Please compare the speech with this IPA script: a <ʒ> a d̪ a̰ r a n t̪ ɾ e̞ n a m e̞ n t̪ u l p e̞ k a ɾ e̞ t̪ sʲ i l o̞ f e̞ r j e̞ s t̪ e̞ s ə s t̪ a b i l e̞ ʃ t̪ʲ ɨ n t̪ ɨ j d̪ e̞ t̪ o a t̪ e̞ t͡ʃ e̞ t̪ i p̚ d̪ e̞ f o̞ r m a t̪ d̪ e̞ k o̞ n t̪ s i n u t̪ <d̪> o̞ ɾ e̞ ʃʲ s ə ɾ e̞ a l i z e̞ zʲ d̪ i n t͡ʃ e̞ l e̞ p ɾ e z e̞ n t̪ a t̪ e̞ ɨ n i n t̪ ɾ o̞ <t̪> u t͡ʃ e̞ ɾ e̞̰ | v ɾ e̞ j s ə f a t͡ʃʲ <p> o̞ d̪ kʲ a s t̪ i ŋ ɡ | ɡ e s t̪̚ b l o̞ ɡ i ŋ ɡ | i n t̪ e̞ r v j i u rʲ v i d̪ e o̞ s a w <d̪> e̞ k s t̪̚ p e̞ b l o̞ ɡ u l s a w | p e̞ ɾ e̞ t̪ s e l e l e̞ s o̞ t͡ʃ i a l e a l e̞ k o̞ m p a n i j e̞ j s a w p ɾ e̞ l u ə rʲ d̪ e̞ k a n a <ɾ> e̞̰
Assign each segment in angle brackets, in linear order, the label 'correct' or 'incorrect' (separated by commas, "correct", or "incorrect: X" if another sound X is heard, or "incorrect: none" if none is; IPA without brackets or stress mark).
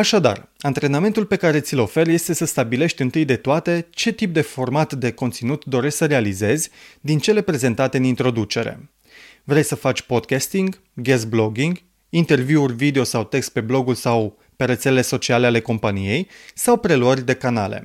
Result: incorrect: ʃ, correct, incorrect: d̪, correct, incorrect: t̪, incorrect: l